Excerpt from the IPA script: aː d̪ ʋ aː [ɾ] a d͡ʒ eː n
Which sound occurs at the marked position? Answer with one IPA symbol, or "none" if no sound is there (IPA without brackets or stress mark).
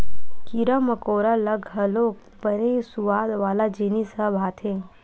l